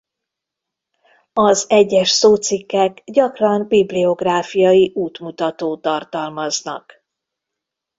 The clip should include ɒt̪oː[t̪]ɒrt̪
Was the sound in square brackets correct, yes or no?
yes